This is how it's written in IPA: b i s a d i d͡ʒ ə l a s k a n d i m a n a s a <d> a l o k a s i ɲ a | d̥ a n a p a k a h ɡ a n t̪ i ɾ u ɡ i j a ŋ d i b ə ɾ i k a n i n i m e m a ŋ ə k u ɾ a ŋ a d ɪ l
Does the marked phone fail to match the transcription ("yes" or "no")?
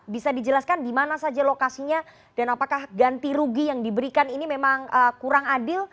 yes